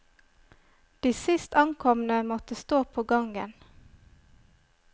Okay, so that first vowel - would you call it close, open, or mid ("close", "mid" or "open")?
close